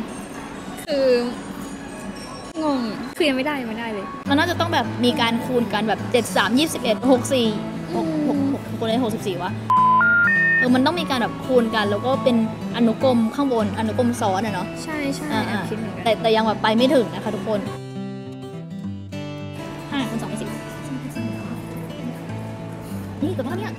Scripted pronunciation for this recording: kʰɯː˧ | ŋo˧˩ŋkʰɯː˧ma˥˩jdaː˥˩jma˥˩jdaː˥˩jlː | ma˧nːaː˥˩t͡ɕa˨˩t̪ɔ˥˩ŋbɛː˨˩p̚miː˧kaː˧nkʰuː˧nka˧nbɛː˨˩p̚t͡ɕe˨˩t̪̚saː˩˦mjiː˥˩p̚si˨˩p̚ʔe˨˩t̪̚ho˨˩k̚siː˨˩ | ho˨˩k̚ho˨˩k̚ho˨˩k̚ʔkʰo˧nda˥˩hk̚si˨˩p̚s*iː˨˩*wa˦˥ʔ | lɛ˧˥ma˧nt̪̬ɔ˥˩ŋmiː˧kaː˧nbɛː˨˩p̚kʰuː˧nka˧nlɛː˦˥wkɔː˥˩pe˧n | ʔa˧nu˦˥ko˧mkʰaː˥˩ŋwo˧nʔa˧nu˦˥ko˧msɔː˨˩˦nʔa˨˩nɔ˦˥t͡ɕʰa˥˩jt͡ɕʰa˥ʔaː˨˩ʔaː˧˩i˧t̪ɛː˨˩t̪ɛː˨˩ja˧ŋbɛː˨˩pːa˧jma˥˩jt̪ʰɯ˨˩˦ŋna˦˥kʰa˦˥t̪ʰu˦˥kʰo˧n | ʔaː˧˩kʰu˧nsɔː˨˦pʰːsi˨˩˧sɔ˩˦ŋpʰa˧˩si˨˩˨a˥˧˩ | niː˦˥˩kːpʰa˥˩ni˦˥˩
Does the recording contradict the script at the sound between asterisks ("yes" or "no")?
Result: no